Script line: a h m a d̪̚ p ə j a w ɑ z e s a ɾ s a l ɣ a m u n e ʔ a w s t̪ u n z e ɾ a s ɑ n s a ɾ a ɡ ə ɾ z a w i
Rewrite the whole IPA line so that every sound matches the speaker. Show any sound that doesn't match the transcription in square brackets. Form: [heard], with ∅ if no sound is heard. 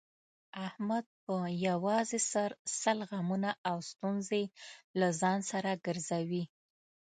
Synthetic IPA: a h m a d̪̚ p ə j a w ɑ z e s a ɾ s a l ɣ a m u n [a] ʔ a w s t̪ u n z e [l] a [z] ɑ n s a ɾ a ɡ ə ɾ z a w i